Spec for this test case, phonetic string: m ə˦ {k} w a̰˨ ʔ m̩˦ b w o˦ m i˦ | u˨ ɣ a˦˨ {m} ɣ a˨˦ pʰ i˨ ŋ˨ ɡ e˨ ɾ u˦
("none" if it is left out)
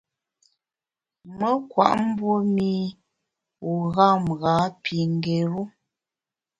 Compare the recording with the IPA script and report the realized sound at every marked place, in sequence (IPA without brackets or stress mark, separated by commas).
k, m